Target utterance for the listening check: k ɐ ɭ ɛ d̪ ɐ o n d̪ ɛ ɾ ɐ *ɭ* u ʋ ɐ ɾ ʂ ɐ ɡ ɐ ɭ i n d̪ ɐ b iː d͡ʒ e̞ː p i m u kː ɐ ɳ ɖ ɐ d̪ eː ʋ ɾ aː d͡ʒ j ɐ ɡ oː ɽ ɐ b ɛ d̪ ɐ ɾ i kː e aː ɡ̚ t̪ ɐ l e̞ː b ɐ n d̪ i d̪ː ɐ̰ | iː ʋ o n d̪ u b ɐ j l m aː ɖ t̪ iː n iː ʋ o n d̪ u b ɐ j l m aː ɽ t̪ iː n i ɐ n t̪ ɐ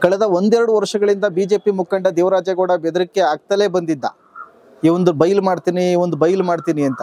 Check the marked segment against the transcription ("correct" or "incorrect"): incorrect